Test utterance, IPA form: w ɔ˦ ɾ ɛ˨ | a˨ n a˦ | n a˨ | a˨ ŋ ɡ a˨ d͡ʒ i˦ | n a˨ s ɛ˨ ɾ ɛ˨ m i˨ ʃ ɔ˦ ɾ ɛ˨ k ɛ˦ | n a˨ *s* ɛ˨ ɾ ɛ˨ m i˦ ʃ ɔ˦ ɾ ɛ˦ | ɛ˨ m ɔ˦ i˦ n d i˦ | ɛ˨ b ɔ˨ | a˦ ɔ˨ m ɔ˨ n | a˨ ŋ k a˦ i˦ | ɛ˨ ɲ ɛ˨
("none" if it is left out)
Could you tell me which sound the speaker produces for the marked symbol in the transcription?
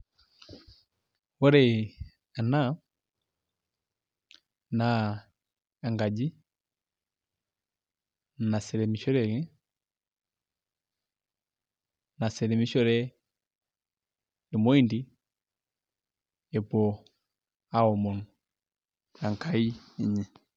s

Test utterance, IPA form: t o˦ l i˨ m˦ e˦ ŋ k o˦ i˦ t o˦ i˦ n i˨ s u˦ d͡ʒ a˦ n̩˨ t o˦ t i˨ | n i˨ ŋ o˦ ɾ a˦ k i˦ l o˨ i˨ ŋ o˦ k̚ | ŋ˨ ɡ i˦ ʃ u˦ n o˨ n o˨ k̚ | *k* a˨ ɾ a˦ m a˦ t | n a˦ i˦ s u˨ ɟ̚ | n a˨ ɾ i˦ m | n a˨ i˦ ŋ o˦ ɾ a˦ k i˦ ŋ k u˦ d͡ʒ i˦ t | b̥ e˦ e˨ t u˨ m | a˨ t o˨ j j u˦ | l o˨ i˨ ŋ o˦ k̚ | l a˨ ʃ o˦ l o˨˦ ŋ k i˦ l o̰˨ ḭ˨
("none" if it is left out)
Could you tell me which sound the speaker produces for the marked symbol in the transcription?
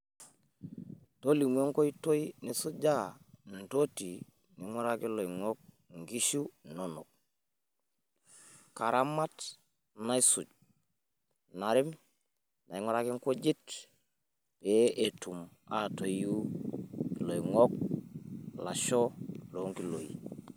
k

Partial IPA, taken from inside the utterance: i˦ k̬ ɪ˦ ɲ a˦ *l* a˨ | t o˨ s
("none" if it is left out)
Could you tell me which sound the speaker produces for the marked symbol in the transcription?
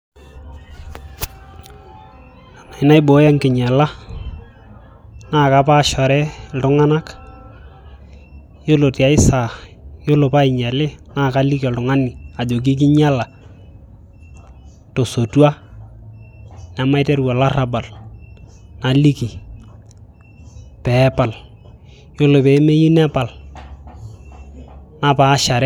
l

